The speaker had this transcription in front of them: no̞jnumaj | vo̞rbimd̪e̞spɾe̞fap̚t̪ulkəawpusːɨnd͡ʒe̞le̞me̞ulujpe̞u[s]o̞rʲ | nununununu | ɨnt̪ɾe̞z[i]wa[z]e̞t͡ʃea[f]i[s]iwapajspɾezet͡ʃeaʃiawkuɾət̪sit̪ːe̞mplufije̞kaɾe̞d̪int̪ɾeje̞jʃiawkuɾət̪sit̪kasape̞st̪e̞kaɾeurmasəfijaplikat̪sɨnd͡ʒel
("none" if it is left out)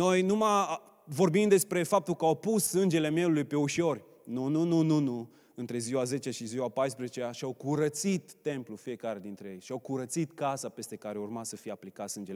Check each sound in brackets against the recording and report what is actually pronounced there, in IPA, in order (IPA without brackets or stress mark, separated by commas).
ʃ, i, z, ʃ, z